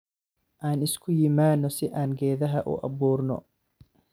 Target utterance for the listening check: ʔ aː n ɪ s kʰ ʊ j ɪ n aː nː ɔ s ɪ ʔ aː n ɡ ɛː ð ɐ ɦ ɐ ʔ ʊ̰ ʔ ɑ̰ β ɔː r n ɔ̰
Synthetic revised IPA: ʔ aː n ɪ s kʰ ʊ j ɪ m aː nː ɔ s ɪ ʔ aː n ɡ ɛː ð ɐ ɦ ɐ ʔ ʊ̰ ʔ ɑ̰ β uː r n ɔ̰